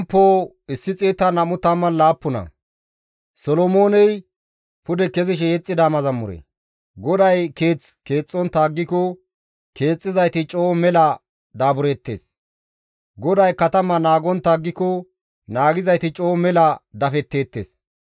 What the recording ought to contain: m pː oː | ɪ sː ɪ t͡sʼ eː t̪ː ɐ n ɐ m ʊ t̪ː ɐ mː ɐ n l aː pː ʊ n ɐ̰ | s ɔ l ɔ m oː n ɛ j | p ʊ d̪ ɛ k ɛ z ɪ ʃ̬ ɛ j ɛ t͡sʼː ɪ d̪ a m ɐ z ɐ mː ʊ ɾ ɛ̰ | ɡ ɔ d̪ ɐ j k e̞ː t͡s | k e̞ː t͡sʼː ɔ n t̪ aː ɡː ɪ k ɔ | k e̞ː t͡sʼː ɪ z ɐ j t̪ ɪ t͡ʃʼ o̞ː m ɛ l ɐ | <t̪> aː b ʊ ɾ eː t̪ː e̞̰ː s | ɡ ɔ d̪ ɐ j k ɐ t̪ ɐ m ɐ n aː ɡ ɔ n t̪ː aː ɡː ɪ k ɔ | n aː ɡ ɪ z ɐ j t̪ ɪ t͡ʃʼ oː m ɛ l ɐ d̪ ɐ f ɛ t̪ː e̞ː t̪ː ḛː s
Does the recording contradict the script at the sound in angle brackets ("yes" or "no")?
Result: yes